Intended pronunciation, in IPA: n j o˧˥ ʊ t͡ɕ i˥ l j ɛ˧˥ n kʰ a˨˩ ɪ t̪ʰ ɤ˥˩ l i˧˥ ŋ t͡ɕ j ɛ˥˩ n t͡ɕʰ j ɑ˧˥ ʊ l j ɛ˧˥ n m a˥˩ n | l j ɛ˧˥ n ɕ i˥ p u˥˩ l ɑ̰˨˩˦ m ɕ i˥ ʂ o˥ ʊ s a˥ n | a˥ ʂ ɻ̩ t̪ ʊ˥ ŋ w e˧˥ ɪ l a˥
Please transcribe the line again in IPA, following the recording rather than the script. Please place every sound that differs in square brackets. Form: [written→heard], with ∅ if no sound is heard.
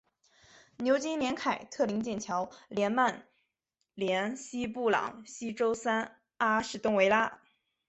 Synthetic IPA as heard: n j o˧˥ ʊ t͡ɕ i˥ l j ɛ˧˥ n kʰ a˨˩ ɪ t̪ʰ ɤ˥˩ l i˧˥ ŋ t͡ɕ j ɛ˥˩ n t͡ɕʰ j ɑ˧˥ ʊ l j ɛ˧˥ n m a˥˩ n | l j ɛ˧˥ n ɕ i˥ p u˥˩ l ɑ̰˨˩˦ [m→ŋ] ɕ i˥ [ʂ→ʈ͡ʂ] o˥ ʊ s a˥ n | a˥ ʂ ɻ̩ t̪ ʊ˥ ŋ w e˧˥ ɪ l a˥